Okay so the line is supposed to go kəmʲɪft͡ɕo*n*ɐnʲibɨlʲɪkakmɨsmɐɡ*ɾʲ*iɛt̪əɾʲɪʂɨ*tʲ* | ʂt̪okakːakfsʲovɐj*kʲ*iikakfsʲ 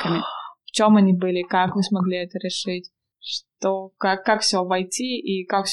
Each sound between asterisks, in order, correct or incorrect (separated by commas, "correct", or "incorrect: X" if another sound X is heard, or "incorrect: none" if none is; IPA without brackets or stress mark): incorrect: m, incorrect: lʲ, correct, incorrect: tʲ